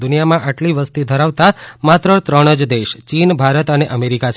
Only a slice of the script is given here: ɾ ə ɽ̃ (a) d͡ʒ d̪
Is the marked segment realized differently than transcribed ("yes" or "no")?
yes